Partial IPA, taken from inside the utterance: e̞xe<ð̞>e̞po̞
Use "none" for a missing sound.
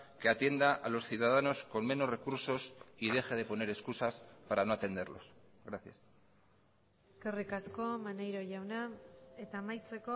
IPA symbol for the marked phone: ð̞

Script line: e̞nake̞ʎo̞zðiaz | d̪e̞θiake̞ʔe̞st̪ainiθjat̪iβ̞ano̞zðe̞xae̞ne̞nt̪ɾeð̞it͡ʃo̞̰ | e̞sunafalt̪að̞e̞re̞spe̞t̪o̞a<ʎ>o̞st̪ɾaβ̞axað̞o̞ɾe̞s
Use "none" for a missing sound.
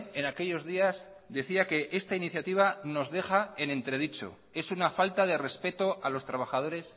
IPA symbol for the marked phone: l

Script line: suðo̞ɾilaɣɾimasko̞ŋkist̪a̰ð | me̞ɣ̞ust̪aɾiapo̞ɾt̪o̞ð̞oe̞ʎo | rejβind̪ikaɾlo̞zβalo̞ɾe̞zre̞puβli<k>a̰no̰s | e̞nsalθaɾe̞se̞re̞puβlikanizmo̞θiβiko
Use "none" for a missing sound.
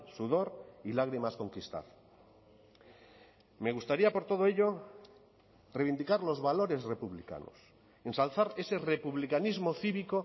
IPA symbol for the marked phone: k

